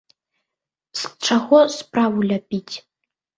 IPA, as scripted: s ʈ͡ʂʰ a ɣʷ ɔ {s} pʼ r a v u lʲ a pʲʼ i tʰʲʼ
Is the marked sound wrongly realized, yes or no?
no